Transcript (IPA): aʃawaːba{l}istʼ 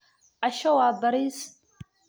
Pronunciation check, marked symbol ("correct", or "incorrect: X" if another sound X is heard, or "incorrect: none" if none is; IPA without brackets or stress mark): incorrect: ɾ